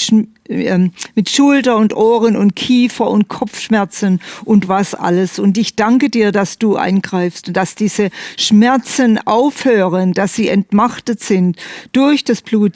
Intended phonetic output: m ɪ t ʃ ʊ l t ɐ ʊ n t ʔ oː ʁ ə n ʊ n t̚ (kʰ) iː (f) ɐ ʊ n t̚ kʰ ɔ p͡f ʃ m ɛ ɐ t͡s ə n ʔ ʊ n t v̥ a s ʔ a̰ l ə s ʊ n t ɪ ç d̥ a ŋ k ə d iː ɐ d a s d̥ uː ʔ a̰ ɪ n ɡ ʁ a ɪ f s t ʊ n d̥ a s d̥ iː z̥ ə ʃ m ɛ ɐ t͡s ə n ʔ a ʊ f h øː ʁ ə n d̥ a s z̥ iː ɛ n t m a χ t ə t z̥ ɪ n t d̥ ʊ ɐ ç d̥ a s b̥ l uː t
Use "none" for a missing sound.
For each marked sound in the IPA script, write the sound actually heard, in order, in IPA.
kʰ, f

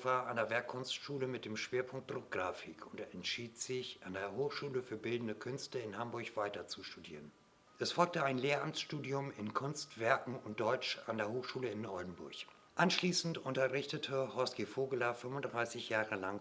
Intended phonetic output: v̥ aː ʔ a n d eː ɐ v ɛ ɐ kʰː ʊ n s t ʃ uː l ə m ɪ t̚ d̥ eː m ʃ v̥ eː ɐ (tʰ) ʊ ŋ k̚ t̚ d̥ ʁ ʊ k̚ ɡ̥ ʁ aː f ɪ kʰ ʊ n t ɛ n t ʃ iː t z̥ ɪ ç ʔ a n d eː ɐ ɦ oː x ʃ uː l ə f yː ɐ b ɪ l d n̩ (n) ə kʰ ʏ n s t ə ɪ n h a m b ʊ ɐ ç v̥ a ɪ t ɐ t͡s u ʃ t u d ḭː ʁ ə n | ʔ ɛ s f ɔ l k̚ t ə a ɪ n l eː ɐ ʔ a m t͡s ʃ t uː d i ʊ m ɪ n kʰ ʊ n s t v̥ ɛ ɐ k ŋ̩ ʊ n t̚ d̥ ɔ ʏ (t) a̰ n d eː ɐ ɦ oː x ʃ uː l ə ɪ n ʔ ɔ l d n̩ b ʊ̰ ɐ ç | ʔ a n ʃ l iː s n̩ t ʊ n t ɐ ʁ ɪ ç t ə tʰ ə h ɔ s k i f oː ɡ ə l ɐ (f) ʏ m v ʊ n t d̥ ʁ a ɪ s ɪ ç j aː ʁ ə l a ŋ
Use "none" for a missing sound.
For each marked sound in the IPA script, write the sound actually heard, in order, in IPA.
pʰ, d, t͡ʃ, f

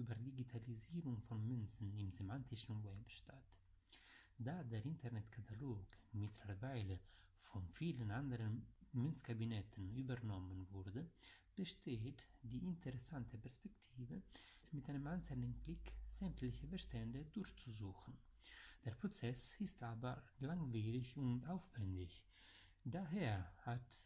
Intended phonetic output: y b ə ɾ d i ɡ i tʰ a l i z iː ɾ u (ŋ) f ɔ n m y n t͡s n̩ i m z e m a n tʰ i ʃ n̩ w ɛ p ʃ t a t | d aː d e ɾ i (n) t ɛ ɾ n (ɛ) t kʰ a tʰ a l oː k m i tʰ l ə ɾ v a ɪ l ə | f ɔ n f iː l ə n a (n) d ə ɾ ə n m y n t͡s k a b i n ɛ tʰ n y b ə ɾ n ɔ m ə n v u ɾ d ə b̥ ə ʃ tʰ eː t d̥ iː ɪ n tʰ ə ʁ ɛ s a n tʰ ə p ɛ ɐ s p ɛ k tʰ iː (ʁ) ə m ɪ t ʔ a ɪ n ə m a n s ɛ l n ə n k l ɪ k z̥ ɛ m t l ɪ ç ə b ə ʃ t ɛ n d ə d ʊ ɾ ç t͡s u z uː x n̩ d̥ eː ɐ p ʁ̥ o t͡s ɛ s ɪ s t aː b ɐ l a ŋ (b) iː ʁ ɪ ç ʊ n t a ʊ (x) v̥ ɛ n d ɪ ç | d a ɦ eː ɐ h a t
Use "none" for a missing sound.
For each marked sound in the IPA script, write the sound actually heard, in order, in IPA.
ŋ, n, ɛ, n, v, v, f

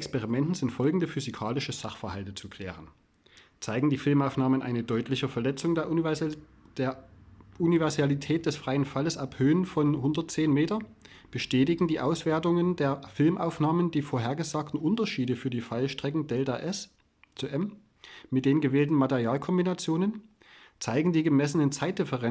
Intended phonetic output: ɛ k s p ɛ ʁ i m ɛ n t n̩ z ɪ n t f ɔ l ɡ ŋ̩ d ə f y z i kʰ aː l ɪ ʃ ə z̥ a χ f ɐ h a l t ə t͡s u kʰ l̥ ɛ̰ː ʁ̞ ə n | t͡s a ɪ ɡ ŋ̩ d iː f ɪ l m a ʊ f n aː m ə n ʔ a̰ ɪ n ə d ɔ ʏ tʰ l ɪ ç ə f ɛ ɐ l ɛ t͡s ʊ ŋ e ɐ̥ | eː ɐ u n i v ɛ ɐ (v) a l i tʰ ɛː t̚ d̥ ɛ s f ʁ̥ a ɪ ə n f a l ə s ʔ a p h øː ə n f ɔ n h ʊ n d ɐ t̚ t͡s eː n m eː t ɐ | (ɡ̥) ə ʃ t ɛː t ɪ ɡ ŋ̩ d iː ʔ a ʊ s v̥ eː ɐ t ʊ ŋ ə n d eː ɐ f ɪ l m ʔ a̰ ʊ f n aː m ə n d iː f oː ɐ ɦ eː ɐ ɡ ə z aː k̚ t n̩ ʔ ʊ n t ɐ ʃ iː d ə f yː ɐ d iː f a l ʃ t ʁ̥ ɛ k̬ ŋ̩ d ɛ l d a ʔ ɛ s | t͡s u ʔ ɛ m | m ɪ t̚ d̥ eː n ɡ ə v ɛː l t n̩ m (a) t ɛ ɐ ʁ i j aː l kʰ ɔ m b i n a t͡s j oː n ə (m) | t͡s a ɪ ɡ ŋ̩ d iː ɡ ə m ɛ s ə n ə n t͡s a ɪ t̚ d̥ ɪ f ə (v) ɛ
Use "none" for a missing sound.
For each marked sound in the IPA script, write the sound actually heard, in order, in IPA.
z, b̥, a, n, ʁ

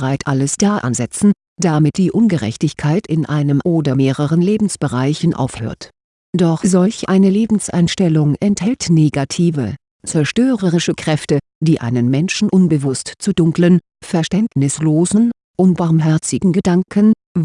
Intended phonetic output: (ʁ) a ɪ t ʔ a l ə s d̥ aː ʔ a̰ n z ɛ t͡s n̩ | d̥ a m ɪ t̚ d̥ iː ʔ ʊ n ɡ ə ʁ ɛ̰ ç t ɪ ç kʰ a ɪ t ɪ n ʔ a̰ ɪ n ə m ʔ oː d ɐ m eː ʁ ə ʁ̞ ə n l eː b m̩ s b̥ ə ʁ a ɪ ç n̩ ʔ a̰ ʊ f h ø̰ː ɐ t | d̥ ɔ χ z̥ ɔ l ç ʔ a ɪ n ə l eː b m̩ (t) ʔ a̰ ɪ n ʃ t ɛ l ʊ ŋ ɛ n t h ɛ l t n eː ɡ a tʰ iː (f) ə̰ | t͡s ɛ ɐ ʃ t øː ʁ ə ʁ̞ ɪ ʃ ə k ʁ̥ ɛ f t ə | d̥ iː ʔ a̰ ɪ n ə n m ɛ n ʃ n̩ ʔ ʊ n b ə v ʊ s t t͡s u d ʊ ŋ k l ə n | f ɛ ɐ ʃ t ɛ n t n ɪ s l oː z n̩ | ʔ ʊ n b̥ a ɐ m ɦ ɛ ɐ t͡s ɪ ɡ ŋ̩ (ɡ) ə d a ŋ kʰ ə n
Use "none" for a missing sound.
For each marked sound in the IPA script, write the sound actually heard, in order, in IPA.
ʁ, s, v, ɡ

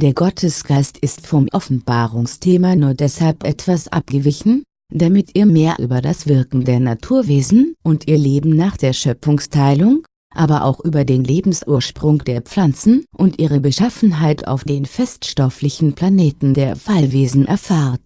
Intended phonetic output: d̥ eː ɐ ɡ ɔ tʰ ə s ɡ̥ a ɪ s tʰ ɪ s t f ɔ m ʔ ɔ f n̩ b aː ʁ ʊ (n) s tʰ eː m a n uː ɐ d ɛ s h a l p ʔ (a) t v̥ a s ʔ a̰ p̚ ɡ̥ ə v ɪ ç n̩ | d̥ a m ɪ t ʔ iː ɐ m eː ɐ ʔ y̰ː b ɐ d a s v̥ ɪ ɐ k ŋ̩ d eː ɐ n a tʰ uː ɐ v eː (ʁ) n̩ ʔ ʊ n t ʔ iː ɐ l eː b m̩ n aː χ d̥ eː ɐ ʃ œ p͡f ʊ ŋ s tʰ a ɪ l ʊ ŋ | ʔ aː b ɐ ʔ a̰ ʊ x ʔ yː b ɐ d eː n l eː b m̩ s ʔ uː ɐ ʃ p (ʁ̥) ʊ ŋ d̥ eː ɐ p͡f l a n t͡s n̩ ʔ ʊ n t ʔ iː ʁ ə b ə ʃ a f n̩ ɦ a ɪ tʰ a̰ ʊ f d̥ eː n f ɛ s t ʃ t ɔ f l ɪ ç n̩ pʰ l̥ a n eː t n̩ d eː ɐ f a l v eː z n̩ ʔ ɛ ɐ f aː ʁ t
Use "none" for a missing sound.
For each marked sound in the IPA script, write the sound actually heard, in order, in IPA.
ŋ, ɛ, z, ʁ̥

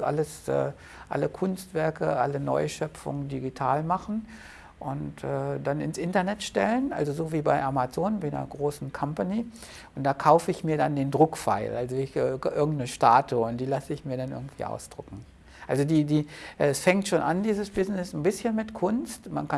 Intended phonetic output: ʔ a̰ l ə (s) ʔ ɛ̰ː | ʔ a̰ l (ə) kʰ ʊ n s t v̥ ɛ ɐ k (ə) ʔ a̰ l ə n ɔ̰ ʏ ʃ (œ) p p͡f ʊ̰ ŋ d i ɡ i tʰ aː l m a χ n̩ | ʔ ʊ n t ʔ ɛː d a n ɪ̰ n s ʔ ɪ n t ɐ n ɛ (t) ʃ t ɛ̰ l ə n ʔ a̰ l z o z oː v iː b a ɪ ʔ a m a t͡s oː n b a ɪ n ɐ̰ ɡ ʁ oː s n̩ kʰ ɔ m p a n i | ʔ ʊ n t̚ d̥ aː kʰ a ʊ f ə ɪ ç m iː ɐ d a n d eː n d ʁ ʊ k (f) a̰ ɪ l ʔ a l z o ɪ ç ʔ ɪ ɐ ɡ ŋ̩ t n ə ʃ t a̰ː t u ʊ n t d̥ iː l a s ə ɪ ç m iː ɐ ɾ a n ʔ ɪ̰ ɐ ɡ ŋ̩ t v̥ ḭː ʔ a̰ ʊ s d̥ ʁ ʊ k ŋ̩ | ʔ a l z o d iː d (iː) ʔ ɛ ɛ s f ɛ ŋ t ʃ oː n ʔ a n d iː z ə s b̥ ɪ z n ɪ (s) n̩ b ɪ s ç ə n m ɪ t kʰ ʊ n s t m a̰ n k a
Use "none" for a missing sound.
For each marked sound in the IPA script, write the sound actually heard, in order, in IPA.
s, ə, ə, œ, t, f, iː, s

